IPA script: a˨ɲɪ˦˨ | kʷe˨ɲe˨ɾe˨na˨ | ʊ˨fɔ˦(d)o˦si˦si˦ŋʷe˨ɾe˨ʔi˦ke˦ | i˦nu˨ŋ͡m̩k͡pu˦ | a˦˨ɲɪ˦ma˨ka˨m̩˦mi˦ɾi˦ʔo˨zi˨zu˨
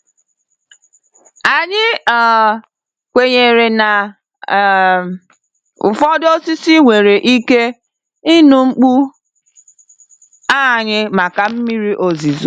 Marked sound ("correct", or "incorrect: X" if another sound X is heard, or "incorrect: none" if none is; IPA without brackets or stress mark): correct